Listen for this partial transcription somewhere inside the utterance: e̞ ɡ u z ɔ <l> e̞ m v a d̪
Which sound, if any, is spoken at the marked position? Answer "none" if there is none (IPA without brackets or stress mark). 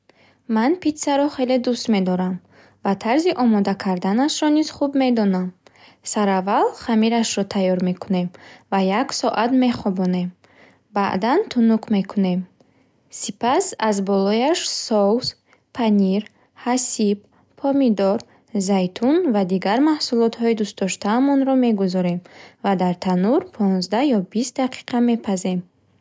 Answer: ɾ